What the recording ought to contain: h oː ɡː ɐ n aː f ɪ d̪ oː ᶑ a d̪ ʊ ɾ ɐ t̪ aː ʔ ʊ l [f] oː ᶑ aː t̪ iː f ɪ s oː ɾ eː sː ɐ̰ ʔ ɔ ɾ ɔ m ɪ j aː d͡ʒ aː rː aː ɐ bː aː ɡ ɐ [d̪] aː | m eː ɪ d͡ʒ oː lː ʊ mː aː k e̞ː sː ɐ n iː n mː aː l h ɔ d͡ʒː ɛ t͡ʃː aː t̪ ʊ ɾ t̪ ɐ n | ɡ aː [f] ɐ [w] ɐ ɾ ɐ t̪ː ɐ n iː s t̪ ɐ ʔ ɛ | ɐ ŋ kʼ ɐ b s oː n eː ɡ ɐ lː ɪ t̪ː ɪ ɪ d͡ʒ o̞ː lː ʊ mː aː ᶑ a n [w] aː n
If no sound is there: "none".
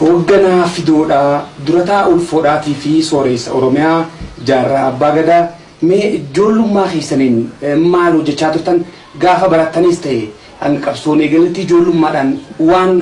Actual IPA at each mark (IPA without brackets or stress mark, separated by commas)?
f, d̪, f, b, w